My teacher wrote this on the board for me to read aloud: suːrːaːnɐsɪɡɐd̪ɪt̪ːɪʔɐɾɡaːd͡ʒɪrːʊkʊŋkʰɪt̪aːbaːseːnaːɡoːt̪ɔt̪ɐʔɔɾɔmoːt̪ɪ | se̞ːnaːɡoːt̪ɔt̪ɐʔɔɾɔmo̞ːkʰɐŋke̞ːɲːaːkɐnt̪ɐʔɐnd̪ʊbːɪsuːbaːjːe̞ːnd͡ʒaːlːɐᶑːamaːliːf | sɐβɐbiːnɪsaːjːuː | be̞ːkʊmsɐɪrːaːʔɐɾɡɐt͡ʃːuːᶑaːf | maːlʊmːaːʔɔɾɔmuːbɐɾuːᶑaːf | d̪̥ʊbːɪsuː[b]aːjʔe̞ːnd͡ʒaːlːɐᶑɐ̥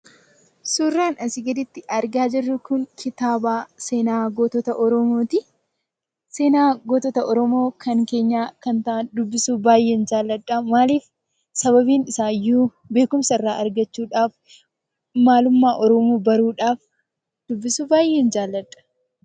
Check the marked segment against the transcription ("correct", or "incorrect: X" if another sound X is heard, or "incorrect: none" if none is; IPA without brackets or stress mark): correct